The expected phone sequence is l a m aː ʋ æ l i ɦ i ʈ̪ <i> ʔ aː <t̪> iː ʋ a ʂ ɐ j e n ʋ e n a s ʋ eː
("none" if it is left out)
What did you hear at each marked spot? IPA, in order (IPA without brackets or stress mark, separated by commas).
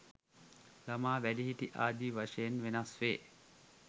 i, d̪